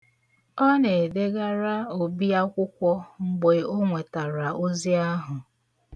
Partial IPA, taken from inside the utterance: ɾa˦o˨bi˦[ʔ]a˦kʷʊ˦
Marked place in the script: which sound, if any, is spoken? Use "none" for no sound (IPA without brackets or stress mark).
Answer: none